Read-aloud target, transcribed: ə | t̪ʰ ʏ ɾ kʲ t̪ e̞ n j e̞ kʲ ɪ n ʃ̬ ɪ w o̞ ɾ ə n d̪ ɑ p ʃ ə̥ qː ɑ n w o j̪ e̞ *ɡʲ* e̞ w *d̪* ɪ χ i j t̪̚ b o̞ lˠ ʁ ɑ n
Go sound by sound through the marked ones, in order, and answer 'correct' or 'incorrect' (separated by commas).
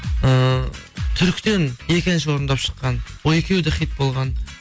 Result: incorrect, correct